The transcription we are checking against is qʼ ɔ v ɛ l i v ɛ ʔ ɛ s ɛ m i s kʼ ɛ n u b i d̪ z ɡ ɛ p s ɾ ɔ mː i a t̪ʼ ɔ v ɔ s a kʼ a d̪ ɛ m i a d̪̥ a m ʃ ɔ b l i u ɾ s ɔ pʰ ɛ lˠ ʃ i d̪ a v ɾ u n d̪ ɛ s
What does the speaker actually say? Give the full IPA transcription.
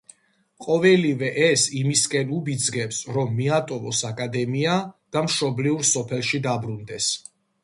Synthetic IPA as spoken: qʼ ɔ v ɛ l i v ɛ ʔ ɛ s i m i s kʼ ɛ n u b i d̪ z ɡ ɛ p s ɾ ɔ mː i a t̪ʼ ɔ v ɔ s a kʼ a d̪ ɛ m i a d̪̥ a m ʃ ɔ b l i u ɾ s ɔ pʰ ɛ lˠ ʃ i d̪ a b ɾ u n d̪ ɛ s